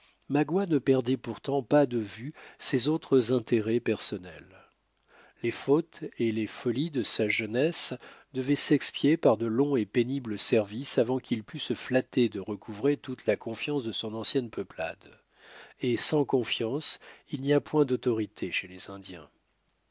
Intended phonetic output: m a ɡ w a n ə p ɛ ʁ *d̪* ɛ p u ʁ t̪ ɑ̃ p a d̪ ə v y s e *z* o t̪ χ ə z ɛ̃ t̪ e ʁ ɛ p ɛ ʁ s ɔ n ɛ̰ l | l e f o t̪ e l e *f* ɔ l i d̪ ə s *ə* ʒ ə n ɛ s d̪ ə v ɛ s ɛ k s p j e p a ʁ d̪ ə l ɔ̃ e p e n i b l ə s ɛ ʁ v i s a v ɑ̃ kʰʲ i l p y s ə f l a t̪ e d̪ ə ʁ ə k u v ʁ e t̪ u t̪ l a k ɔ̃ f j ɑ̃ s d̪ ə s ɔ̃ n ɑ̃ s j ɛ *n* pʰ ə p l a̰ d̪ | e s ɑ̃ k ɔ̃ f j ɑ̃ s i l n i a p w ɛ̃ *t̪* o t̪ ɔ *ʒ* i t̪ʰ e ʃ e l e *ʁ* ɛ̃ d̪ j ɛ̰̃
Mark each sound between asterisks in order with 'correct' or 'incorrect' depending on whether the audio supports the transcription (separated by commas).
correct, correct, correct, incorrect, correct, incorrect, incorrect, incorrect